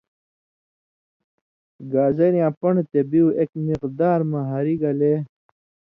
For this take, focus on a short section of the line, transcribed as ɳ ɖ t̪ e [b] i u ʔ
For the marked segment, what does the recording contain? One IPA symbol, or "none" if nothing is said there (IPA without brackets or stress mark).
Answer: b